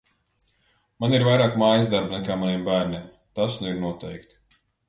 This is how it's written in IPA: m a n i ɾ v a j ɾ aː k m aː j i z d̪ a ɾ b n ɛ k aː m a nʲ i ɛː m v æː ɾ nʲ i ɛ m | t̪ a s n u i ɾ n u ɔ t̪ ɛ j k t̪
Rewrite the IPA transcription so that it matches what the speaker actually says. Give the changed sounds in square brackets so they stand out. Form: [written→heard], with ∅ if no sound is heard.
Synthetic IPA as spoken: m a n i ɾ v a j ɾ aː k m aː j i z d̪ a ɾ b n ɛ k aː m a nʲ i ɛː m [v→b] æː ɾ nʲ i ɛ m | t̪ a s n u i ɾ n u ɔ t̪ ɛ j k t̪

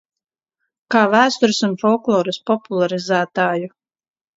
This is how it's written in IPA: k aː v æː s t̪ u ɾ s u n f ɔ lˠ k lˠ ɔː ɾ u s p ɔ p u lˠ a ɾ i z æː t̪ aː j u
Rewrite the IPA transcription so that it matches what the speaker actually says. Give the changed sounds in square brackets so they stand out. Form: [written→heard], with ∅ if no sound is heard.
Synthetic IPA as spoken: k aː v æː s t̪ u ɾ s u n f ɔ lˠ k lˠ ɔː ɾ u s p ɔ p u lˠ a ɾ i z æː t̪ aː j u

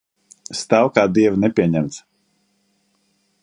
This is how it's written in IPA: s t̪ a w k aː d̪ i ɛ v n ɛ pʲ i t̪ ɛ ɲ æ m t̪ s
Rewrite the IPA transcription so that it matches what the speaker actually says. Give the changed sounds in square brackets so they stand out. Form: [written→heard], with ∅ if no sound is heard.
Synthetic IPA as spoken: s t̪ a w k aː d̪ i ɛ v n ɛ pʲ i [t̪→∅] ɛ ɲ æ m t̪ s

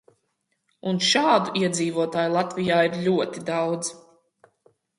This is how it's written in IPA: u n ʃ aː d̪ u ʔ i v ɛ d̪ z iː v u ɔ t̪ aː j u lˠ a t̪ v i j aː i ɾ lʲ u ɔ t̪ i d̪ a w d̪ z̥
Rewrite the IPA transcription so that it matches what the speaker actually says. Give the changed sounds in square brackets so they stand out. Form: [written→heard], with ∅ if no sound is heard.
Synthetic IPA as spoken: u n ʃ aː d̪ u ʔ i [v→∅] ɛ d̪ z iː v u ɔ t̪ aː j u lˠ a t̪ v i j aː i ɾ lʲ u ɔ t̪ i d̪ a w d̪ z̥

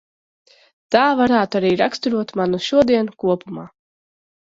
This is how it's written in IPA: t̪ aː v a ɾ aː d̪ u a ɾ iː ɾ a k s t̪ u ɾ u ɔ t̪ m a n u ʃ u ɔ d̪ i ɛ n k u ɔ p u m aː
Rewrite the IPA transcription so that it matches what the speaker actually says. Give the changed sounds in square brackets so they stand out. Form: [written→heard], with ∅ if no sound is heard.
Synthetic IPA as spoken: t̪ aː v a ɾ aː [d̪→t̪] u a ɾ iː ɾ a k s t̪ u ɾ u ɔ t̪ m a n u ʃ u ɔ d̪ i ɛ n k u ɔ p u m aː

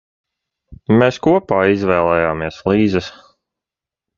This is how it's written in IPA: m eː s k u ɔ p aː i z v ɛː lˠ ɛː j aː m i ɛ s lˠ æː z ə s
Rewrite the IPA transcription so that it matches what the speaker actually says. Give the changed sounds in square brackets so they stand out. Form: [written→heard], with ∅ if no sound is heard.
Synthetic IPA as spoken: m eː s k u ɔ p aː i z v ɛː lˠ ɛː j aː m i ɛ s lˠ [æː→iː] z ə s

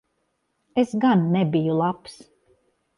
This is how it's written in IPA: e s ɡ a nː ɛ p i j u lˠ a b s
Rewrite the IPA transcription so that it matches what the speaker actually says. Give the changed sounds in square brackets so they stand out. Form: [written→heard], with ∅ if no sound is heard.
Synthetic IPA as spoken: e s ɡ a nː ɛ [p→b] i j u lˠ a [b→p] s

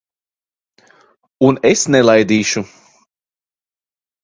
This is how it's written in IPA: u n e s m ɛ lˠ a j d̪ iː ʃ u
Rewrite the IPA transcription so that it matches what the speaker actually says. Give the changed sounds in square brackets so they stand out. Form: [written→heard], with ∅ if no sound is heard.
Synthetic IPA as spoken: u n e s [m→n] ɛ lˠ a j d̪ iː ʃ u

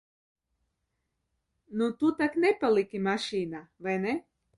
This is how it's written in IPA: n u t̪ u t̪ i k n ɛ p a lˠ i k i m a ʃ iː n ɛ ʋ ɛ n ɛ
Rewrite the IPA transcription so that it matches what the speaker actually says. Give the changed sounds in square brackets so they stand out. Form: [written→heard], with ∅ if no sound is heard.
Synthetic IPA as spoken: n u t̪ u t̪ [i→a] k n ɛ p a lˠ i k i m a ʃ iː n [ɛ→a] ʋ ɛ n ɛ

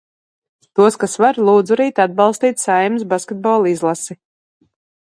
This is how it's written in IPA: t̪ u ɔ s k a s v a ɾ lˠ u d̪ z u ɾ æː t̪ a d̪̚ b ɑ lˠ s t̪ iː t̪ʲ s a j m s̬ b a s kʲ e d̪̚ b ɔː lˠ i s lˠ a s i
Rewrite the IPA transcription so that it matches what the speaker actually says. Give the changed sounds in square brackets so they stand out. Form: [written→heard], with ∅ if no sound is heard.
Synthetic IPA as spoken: t̪ u ɔ s k a s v a ɾ lˠ [u→uː] d̪ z u ɾ [æː→iː] t̪ a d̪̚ b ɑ lˠ s t̪ iː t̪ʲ s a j m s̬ b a s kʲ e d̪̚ b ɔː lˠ i [s→z] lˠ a s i

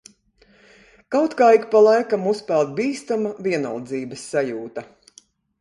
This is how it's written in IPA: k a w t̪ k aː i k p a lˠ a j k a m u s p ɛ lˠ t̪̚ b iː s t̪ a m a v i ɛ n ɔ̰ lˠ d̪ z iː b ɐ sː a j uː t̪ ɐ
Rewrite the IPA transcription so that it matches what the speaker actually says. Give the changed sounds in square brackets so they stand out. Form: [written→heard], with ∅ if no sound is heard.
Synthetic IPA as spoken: k a w t̪ k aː i k p a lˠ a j k a m u s p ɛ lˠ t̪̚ b iː s t̪ a m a v i ɛ n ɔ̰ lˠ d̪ z iː b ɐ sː a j uː t̪ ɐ

